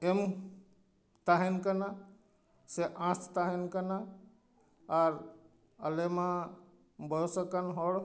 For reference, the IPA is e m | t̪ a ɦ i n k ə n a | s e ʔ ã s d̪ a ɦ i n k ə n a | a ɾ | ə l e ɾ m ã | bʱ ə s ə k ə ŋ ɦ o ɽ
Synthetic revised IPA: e m | t̪ a ɦ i n k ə n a | s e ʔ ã s t̪ a ɦ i n k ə n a | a ɾ | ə l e m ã | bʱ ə s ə k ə n ɦ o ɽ